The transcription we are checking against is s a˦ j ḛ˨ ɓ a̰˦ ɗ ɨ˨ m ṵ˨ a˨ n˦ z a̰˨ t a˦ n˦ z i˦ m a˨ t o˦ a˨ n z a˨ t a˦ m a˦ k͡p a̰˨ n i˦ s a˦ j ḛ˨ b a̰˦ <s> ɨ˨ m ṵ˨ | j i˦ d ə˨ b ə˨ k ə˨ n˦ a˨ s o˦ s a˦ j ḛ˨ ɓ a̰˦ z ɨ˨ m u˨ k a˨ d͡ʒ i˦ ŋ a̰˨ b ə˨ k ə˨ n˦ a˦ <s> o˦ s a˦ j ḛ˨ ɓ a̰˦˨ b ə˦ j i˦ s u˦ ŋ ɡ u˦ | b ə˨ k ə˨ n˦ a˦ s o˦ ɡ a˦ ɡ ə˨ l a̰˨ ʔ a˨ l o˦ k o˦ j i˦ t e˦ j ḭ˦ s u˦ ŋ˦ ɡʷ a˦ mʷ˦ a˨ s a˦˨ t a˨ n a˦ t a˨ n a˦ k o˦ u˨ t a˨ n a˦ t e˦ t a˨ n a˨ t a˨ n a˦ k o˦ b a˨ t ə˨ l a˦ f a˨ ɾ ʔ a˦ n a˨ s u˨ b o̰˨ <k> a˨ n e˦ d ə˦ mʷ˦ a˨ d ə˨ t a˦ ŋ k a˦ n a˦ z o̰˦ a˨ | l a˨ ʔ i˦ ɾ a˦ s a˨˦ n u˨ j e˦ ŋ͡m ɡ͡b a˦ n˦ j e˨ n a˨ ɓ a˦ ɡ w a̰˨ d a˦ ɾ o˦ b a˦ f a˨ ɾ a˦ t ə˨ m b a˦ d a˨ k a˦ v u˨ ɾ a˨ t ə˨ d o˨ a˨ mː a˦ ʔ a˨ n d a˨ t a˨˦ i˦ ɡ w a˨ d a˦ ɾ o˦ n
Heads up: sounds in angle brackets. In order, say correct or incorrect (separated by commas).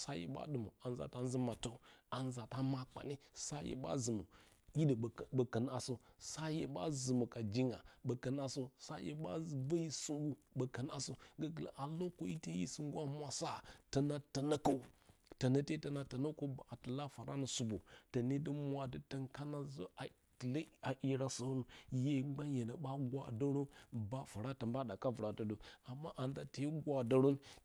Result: incorrect, correct, incorrect